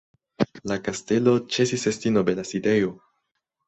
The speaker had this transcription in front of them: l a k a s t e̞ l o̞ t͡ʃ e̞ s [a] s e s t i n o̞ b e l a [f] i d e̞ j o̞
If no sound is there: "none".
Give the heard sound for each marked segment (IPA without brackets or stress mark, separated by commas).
i, s